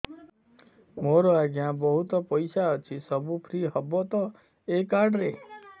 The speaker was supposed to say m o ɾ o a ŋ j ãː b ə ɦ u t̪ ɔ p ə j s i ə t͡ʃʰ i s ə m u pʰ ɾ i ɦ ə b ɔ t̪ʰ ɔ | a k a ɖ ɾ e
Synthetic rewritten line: m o ɾ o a ɡ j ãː b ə ɦ u t̪ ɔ p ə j s a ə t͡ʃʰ i s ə b u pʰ ɾ i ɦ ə b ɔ t̪ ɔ | e k a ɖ ɾ e